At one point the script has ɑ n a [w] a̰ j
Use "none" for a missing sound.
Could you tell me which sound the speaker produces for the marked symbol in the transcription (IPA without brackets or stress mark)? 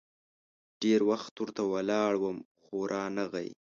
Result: ɣ